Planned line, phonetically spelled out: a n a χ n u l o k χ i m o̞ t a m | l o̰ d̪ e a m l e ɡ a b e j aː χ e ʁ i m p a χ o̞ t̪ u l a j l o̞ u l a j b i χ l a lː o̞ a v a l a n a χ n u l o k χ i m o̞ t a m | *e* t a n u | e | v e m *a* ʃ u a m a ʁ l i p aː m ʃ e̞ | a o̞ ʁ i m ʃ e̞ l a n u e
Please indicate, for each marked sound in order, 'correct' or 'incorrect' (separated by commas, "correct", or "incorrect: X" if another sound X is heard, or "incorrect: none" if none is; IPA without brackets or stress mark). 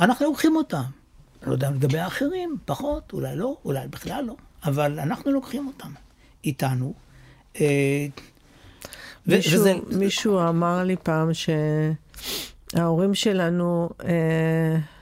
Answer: incorrect: i, incorrect: i